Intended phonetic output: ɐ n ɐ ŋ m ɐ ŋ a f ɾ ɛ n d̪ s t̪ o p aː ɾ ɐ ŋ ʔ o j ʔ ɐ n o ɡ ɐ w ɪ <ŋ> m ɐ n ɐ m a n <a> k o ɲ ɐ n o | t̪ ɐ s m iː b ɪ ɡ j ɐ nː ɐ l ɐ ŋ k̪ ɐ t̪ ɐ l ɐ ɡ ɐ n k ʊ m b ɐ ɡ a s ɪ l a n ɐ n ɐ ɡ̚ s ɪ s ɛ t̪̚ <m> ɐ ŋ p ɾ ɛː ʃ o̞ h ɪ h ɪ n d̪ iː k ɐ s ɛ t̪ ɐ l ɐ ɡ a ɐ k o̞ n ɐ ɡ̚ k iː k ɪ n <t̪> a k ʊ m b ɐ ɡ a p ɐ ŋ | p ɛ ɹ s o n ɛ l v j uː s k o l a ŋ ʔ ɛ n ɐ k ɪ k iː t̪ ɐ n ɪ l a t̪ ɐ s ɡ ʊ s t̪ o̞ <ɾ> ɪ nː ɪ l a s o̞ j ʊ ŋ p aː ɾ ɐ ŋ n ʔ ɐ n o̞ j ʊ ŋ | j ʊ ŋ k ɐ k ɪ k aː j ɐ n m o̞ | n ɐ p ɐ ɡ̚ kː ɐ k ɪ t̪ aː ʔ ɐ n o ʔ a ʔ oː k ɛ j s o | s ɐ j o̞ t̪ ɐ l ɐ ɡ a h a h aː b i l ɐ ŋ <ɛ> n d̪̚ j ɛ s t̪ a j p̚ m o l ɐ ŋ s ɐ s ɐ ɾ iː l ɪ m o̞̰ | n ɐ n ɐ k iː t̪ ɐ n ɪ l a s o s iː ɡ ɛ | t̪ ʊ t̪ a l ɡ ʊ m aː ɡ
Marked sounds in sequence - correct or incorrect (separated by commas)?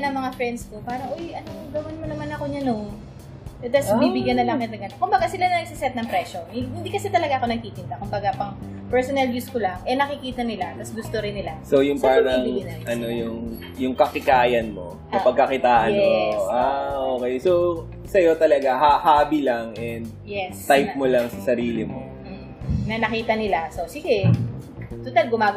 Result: incorrect, incorrect, incorrect, correct, correct, correct